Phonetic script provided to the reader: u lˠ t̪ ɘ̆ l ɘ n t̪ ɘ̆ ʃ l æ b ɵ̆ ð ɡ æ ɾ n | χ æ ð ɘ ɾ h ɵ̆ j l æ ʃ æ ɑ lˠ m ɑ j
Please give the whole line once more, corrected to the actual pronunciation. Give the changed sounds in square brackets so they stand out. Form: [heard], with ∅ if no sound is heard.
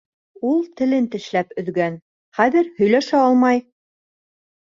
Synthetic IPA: u lˠ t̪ ɘ̆ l ɘ n t̪ ɘ̆ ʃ l æ [p] ɵ̆ ð ɡ æ [∅] n | χ æ ð ɘ ɾ h ɵ̆ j l æ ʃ æ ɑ lˠ m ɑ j